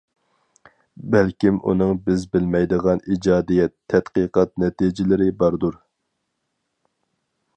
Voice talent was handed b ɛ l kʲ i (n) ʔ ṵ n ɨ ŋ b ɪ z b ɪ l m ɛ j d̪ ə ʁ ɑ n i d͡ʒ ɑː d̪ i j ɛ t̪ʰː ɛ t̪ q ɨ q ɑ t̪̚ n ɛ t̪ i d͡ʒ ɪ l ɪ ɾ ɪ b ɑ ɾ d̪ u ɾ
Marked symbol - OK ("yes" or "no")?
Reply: no